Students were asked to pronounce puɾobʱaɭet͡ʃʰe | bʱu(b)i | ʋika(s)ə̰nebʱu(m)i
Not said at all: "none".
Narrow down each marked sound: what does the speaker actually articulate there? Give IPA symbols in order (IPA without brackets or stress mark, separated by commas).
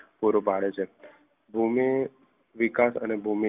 m, s, m